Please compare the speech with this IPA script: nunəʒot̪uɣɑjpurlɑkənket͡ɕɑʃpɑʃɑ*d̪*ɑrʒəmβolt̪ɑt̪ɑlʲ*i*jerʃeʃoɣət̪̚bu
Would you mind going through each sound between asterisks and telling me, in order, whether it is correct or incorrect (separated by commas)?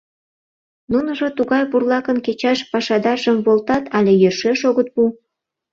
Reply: correct, incorrect